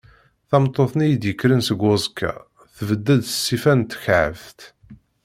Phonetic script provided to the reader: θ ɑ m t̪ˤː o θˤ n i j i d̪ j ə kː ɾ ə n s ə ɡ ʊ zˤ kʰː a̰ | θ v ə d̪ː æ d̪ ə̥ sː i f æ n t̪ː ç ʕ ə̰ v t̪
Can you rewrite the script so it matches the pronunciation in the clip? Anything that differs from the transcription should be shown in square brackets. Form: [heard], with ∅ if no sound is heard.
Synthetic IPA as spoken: θ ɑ m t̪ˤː o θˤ n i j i d̪ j ə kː ɾ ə n s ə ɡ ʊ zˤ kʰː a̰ | θ v ə d̪ː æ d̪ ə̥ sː i f æ n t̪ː ç ʕ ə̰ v t̪